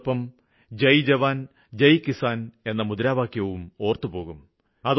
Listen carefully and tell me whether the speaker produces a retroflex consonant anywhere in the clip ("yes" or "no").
no